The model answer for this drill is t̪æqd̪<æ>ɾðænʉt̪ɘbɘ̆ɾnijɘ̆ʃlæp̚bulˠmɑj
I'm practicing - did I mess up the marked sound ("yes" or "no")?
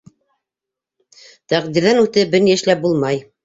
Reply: yes